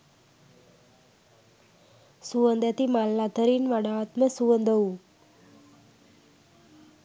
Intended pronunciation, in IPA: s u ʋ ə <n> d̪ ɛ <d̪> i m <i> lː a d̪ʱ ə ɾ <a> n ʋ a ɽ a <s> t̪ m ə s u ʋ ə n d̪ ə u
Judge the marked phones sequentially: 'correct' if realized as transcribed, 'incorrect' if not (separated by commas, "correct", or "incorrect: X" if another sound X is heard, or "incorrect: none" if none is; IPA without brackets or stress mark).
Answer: correct, incorrect: t̪, incorrect: a, incorrect: i, incorrect: none